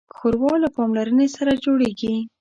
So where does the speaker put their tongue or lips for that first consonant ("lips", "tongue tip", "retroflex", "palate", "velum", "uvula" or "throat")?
velum